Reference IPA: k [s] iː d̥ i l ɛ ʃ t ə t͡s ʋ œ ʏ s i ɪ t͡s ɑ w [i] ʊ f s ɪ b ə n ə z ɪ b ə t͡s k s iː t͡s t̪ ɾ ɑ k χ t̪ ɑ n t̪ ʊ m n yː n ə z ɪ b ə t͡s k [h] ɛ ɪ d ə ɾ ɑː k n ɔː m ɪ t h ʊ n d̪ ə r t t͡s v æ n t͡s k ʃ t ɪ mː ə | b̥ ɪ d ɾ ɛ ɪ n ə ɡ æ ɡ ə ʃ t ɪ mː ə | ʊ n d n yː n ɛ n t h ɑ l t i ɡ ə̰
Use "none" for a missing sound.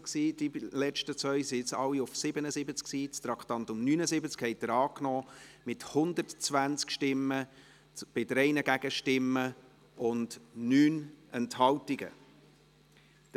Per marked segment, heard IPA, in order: s, i, h

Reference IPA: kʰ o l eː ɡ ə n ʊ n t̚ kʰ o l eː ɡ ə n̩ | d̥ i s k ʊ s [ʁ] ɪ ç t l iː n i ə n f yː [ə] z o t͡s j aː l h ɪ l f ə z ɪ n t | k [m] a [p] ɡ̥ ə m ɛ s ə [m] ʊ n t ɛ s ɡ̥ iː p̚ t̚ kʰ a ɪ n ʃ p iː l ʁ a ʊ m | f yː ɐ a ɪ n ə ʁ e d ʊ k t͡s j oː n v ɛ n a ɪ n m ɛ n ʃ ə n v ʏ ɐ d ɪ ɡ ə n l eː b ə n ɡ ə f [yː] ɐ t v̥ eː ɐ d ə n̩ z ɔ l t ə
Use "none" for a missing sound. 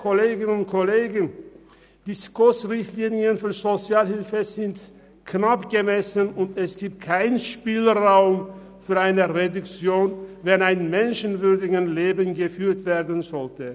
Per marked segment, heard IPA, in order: ʁ, ɐ, n, p, n, yː

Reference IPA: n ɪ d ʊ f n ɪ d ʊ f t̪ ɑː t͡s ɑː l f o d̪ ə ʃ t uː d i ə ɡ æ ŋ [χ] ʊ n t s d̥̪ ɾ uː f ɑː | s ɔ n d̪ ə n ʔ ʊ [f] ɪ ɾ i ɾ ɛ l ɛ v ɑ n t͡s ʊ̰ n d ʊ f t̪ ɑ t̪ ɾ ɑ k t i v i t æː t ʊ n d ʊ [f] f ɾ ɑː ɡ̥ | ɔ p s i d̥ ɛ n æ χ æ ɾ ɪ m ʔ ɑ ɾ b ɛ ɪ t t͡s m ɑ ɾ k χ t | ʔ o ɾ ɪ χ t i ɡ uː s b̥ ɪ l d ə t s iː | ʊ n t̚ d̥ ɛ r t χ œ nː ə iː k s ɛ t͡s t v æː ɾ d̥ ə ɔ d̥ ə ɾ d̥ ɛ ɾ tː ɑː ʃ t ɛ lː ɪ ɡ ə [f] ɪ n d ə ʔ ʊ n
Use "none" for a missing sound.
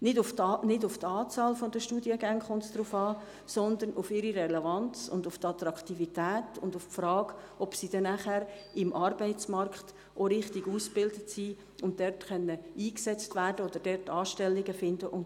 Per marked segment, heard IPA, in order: χ, f, f, f

